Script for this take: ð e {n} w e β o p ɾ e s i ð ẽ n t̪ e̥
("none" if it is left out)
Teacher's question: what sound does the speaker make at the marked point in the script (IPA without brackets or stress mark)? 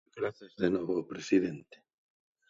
n